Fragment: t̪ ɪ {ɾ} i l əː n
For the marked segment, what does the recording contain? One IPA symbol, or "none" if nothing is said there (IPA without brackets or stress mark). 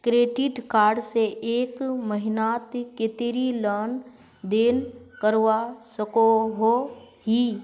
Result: ɾ